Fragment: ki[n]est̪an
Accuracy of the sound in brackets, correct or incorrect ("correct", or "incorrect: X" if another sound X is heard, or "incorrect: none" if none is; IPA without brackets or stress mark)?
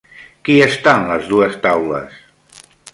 incorrect: none